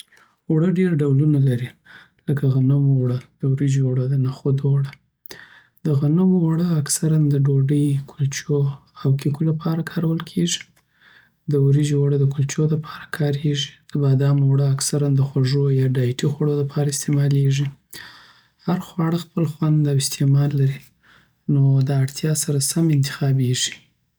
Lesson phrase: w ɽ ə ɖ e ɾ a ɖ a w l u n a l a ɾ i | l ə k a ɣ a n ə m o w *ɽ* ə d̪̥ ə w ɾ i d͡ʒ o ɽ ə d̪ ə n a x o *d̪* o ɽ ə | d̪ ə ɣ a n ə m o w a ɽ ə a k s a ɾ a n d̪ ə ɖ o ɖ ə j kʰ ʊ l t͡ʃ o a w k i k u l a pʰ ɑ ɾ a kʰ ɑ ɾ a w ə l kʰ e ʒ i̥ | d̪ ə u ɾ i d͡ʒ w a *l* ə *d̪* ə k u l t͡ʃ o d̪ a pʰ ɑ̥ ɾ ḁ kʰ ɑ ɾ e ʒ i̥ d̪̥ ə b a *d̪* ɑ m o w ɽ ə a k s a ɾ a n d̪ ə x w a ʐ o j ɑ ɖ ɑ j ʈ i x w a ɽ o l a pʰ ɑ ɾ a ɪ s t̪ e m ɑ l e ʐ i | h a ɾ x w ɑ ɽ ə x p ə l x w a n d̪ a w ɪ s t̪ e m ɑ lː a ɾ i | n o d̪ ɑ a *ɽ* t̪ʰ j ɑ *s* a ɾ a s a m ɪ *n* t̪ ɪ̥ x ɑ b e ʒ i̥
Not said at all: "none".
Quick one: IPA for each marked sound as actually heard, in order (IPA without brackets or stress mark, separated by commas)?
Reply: ɽ, d̪, ɽ, d̪, d̪, ɽ, s, n